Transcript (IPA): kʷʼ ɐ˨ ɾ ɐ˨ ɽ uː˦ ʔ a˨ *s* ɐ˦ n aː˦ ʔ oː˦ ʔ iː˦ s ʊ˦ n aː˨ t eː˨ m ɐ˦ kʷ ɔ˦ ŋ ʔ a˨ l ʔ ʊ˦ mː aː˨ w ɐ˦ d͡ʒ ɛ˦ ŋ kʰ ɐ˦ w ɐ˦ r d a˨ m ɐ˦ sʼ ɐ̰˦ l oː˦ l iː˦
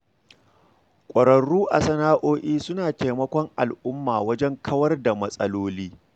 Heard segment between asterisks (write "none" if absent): s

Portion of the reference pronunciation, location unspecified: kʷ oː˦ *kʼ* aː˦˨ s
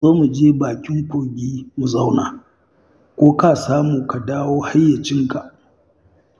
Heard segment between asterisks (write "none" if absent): k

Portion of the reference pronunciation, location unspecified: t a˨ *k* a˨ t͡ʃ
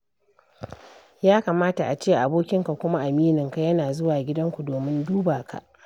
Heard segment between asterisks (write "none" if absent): ʔ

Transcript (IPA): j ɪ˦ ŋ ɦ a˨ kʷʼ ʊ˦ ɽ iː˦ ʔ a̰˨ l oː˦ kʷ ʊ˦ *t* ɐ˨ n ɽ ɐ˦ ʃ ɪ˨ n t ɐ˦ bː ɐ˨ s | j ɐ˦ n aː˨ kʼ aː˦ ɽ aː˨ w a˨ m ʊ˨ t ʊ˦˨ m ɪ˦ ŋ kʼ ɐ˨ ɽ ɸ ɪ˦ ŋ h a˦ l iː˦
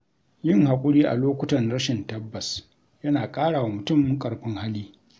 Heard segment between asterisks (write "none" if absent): t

